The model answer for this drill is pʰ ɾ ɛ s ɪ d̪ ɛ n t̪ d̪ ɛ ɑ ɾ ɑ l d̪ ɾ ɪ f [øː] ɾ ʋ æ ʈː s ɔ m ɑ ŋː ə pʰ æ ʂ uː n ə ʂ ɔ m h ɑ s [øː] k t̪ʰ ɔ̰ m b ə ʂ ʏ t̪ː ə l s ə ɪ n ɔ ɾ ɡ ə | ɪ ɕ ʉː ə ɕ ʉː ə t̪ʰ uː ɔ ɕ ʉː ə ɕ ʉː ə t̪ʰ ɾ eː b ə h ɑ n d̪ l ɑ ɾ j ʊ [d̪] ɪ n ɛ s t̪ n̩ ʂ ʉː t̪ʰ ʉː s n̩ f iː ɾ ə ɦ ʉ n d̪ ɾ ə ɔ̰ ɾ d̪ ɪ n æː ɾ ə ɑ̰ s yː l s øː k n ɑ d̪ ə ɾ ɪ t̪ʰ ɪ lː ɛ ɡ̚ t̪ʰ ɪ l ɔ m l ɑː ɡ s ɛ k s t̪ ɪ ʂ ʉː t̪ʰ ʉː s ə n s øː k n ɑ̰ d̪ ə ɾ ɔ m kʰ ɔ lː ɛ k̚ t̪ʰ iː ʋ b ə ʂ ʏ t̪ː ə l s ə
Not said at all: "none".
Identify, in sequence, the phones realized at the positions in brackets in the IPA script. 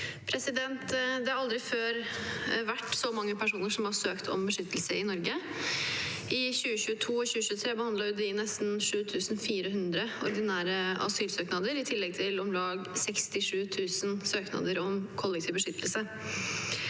øː, øː, d̪

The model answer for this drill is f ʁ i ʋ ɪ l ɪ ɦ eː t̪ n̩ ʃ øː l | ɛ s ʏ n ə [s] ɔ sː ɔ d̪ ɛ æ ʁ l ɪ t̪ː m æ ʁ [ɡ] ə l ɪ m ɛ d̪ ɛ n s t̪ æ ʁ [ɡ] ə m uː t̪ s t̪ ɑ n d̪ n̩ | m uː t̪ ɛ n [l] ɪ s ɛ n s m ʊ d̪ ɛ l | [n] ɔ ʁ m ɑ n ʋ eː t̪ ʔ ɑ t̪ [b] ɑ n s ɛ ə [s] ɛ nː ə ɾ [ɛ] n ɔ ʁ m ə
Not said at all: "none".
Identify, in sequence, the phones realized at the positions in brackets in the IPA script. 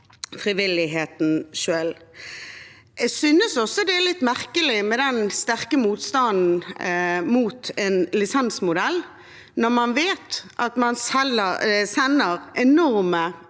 s, k, k, l, n, m, s, ɛ

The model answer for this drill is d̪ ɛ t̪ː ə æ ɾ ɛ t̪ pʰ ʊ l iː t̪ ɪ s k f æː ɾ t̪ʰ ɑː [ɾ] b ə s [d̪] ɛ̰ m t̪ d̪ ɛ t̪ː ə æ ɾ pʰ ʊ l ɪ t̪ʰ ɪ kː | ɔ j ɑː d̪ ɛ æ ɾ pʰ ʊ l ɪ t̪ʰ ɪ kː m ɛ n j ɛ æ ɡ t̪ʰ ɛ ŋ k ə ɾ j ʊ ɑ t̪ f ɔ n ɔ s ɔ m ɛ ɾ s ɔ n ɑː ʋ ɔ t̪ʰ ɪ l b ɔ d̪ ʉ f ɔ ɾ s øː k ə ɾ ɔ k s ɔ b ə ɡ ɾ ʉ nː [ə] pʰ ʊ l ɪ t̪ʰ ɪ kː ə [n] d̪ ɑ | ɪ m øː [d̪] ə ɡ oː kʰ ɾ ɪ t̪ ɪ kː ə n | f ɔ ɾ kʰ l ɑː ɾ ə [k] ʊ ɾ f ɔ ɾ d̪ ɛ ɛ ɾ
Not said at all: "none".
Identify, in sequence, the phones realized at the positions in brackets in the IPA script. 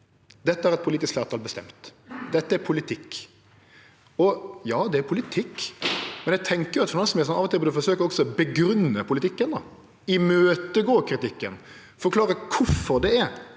l, t̪, ə, n, t̪, kʰ

